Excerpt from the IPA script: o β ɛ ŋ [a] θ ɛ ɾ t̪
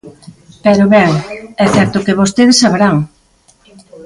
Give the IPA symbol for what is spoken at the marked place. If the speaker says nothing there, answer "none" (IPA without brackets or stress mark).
ɛ